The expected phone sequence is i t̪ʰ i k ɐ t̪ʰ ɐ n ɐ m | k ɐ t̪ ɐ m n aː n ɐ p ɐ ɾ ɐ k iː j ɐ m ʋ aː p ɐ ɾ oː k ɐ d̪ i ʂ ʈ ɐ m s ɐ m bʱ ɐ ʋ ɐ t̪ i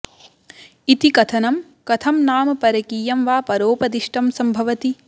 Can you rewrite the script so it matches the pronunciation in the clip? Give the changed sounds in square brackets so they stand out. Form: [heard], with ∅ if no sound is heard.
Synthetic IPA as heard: i [t̪] i k ɐ t̪ʰ ɐ n ɐ m | k ɐ [t̪ʰ] ɐ m n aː [m] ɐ p ɐ ɾ ɐ k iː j ɐ m ʋ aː p ɐ ɾ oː [p] ɐ d̪ i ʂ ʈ ɐ m s ɐ m bʱ ɐ ʋ ɐ t̪ i

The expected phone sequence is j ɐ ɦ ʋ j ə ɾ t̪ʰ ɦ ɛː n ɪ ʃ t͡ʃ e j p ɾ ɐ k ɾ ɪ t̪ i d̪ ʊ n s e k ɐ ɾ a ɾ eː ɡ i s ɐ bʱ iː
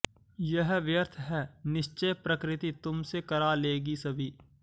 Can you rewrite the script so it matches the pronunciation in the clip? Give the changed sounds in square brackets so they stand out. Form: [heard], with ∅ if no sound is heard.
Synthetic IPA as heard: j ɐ ɦ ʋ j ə ɾ t̪ʰ ɦ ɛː n ɪ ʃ t͡ʃ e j p ɾ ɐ k ɾ ɪ t̪ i [t̪] ʊ [m] s e k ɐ ɾ a [l] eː ɡ i s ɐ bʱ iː

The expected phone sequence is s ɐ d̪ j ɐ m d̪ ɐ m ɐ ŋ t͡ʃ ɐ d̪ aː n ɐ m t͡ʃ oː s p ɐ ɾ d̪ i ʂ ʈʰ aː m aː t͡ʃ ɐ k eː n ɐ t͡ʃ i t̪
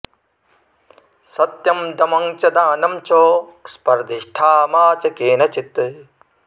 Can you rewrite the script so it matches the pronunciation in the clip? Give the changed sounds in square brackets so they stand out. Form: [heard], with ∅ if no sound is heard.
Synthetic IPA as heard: s ɐ [t̪] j ɐ m d̪ ɐ m ɐ ŋ t͡ʃ ɐ d̪ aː n ɐ m t͡ʃ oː s p ɐ ɾ d̪ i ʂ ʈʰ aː m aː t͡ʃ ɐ k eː n ɐ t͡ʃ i t̪

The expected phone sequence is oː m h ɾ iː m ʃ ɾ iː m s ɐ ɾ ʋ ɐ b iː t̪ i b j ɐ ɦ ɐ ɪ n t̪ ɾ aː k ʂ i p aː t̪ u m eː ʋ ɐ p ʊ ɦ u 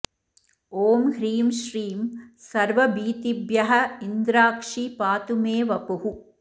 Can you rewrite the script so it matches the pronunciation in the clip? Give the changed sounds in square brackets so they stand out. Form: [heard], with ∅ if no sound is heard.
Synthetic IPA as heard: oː m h ɾ iː m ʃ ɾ iː m s ɐ ɾ ʋ ɐ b iː t̪ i b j ɐ ɦ ɐ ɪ n [d̪] ɾ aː k ʂ i p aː t̪ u m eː ʋ ɐ p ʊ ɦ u

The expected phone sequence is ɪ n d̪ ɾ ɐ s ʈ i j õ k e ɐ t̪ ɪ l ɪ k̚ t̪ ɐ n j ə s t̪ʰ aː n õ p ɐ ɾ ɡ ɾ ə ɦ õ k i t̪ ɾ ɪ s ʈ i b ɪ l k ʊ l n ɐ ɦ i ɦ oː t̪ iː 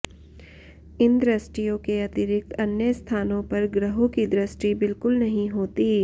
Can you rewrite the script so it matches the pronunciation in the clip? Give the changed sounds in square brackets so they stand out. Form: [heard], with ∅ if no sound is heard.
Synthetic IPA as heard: ɪ n d̪ ɾ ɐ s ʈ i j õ k e ɐ t̪ ɪ [ɾ] ɪ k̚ t̪ ɐ n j ə s t̪ʰ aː n õ p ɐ ɾ ɡ ɾ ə ɦ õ k i [d̪] ɾ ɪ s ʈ i b ɪ l k ʊ l n ɐ ɦ [ĩ] ɦ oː t̪ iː

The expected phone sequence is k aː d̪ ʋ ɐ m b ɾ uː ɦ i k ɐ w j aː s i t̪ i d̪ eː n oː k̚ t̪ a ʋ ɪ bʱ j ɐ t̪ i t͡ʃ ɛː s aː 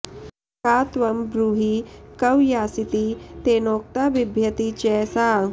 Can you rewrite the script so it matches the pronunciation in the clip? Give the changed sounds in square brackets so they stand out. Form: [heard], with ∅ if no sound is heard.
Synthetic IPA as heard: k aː [t̪] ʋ ɐ m b ɾ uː ɦ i k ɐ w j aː s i t̪ i [t̪] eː n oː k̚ t̪ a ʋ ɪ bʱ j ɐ t̪ i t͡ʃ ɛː s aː

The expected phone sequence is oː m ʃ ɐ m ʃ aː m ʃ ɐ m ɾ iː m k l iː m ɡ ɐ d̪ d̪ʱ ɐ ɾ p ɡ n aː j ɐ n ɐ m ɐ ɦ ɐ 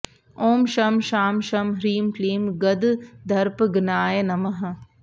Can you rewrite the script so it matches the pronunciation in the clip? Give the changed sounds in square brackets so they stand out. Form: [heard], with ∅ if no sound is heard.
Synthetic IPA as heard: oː m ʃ ɐ m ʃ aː m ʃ ɐ m ɾ iː m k l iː m ɡ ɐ d̪ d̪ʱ ɐ ɾ p ɡ n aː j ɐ n ɐ m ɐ ɦ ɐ

